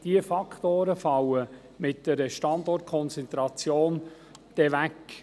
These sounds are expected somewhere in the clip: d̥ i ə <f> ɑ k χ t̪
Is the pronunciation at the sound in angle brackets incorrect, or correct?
correct